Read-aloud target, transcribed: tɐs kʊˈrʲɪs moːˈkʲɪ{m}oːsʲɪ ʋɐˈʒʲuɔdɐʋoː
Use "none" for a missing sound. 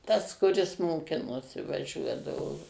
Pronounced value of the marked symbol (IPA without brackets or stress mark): n